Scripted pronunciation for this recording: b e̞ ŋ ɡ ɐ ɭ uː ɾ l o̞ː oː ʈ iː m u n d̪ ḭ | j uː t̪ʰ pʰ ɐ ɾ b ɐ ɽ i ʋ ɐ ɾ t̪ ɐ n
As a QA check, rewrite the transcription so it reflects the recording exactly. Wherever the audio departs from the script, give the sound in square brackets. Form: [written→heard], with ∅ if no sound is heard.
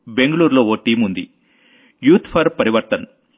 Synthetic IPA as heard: b e̞ ŋ ɡ ɐ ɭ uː ɾ l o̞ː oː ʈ iː m u n d̪ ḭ | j uː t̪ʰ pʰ ɐ ɾ [b→p] ɐ [ɽ→ɾ] i ʋ ɐ ɾ t̪ ɐ n